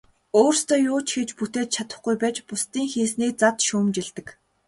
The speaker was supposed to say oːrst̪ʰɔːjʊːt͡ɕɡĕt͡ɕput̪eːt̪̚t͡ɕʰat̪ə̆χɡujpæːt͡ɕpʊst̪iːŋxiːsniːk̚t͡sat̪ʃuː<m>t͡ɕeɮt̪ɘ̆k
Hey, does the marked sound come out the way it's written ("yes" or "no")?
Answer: yes